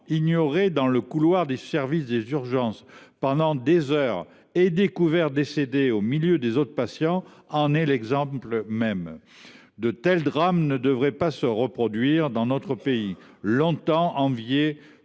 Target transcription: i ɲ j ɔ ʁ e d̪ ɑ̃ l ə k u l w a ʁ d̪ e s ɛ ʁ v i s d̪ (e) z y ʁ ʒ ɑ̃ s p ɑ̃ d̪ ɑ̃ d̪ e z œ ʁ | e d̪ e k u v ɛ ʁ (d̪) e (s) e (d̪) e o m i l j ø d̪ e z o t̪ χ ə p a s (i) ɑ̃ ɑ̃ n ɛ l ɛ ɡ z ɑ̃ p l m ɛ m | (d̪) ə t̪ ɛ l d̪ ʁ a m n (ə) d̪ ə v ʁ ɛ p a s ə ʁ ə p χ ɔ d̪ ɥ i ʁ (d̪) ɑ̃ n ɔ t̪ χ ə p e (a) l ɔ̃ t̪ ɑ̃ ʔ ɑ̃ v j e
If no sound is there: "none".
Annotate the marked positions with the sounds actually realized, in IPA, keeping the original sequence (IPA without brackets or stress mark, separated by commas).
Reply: e, d̪, s, d̪, j, d̪, ə, d̪, i